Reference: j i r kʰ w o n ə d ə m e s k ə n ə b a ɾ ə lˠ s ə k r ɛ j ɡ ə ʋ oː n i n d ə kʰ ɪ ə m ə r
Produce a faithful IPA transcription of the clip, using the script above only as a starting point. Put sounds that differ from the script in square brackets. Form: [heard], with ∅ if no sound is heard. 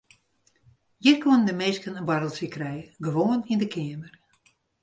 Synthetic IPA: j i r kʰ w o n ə d ə m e s k ə n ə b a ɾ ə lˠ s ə k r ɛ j ɡ ə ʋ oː n i n d ə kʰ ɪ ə m ə r